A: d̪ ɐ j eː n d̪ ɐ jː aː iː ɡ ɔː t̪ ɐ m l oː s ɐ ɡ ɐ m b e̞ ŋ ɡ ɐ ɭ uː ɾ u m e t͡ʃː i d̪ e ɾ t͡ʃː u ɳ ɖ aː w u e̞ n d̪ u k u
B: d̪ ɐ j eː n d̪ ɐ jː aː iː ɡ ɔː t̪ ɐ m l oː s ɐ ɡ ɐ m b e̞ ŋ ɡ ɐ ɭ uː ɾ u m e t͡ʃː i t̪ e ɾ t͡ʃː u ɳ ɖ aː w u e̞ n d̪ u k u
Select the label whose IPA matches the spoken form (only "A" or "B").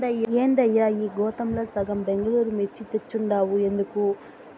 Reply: B